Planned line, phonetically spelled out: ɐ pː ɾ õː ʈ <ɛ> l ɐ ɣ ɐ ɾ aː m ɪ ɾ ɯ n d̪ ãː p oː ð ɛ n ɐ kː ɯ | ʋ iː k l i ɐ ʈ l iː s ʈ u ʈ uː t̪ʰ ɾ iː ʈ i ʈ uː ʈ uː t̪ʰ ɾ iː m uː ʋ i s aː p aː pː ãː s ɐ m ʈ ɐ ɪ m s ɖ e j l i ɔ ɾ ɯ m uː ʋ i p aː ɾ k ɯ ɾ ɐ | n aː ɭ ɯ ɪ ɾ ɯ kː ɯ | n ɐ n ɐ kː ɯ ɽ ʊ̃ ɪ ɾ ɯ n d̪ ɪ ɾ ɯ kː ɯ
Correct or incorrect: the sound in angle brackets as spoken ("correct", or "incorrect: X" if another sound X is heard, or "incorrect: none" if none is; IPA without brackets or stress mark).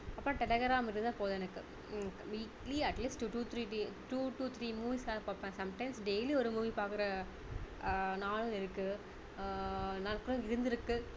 correct